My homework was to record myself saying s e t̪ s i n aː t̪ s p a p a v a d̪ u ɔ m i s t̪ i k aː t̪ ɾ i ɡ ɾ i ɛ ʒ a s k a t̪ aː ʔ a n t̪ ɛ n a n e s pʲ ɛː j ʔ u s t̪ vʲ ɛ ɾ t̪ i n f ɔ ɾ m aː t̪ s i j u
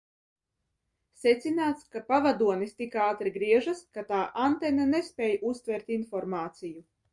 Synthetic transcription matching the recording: s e t̪ s i n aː t̪ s k a p a v a d̪ u ɔ n i s t̪ i k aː t̪ ɾ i ɡ ɾ i ɛ ʒ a s k a t̪ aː ʔ a n t̪ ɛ n a n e s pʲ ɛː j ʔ u s t̪ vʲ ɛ ɾ t̪ i n f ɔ ɾ m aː t̪ s i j u